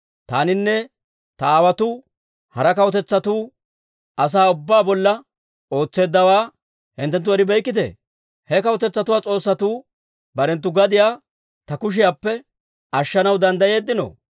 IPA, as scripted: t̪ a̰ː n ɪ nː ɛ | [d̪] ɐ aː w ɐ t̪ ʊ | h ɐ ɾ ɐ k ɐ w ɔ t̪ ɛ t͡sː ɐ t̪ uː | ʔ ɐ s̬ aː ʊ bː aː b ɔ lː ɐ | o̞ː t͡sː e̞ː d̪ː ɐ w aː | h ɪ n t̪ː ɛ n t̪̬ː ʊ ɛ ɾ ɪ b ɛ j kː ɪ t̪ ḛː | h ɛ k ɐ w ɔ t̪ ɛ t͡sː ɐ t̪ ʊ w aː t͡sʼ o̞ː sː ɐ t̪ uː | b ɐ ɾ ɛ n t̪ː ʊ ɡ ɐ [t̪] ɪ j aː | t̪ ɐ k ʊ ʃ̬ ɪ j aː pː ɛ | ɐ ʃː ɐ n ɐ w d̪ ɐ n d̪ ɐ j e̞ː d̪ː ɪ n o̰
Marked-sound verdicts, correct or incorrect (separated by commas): incorrect, incorrect